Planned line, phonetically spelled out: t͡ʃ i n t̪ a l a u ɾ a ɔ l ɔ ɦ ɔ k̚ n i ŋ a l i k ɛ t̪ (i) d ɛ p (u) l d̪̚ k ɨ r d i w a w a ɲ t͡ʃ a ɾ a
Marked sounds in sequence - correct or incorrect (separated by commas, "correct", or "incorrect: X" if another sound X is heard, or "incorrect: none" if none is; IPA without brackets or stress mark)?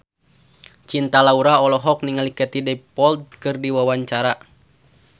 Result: correct, incorrect: ɔ